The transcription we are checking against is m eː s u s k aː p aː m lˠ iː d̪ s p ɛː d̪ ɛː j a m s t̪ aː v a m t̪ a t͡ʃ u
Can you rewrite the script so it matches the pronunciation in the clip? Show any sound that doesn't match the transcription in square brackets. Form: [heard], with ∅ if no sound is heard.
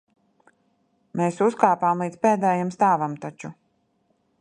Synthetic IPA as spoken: m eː s u s k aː p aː m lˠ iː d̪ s p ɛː d̪ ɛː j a m s t̪ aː v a m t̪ a t͡ʃ u